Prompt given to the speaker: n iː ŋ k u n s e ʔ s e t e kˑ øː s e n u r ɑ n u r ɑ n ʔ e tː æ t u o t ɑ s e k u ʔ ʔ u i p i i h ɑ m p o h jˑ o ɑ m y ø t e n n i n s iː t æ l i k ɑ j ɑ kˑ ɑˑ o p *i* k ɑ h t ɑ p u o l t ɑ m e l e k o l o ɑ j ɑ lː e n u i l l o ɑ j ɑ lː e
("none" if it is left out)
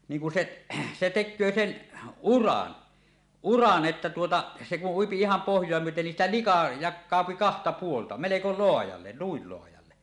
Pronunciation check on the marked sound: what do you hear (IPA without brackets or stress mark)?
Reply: i